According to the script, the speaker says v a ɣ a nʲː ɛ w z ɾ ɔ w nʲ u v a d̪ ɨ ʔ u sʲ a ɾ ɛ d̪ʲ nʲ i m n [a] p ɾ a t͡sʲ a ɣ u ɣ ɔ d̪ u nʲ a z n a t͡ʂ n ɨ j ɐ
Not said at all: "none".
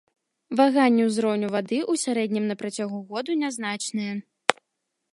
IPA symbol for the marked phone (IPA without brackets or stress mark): ɐ